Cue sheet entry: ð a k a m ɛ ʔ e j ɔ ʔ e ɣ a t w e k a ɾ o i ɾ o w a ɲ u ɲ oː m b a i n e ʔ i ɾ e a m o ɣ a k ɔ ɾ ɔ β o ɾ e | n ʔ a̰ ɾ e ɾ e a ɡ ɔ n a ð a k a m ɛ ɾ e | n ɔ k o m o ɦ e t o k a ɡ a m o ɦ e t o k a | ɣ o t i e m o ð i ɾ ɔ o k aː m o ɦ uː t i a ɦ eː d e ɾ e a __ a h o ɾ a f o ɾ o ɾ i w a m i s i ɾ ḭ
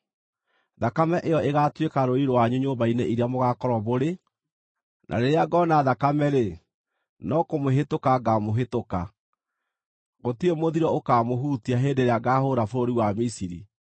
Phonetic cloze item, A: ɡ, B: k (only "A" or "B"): A